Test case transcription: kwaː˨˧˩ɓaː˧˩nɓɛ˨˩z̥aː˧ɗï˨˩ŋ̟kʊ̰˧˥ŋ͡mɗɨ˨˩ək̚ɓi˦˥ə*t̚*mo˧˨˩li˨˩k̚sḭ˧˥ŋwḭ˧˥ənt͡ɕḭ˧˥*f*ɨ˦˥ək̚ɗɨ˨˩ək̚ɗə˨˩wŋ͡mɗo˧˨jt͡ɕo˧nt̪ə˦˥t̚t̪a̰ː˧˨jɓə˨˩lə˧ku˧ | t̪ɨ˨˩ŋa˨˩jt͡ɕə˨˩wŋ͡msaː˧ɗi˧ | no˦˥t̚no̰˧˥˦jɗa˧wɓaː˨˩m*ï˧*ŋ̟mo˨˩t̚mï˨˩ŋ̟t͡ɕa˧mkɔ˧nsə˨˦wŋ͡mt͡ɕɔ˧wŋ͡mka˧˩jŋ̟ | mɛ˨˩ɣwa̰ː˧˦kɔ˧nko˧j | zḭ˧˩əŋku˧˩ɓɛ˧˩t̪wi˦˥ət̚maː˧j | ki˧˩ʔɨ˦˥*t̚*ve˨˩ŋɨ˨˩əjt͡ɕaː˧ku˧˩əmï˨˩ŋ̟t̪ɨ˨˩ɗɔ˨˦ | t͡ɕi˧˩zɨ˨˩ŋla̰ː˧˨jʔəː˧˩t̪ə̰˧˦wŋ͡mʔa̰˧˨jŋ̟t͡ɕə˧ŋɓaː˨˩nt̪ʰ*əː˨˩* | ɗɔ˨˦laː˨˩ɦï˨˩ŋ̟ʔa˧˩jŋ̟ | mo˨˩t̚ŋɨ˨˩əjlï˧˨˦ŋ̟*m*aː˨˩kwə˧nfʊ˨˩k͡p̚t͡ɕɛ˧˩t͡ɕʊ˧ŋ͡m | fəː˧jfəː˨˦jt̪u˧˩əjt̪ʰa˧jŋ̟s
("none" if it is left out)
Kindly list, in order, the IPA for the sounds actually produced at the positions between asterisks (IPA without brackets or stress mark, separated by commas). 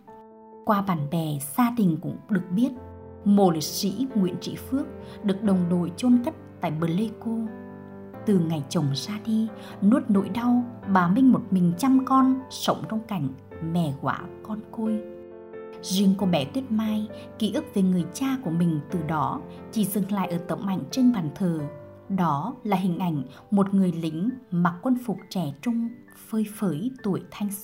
t̚, f, ï˧, k̚, əː˨˩, m